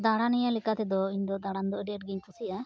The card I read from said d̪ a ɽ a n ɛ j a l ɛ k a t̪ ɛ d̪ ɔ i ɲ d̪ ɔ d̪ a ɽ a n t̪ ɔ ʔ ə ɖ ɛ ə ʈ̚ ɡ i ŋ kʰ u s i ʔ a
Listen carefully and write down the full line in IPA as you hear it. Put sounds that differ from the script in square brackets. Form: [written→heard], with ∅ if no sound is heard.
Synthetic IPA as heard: d̪ a ɽ a n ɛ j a l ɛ k a t̪ ɛ d̪ ɔ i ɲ d̪ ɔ d̪ a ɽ a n [t̪→d̪] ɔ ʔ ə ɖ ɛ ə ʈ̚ ɡ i [ŋ→ɲ] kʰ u s i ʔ a